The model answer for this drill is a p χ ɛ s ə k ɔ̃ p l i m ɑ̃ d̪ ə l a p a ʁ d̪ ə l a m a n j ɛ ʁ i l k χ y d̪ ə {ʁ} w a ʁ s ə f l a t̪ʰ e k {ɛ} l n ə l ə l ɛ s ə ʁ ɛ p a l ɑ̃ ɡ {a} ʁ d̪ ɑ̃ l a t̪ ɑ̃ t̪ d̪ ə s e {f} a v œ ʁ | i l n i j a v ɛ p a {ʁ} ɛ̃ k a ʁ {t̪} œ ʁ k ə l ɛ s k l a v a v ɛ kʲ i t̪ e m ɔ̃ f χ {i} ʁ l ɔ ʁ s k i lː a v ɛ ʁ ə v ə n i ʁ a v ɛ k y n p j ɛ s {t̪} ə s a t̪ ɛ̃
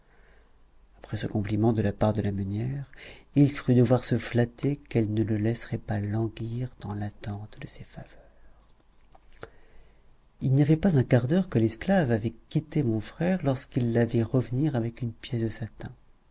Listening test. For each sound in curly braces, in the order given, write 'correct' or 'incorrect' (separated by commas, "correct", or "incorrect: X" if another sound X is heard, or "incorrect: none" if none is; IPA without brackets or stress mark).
incorrect: v, correct, incorrect: i, correct, incorrect: z, incorrect: d̪, incorrect: ɛ, incorrect: d̪